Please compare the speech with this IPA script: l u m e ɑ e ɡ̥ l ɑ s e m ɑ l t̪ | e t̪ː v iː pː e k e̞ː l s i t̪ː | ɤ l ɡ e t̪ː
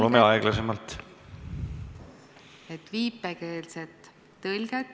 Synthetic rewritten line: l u m e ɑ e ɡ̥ l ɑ s e m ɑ l t̪ | e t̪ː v iː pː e k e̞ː l s e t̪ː | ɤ l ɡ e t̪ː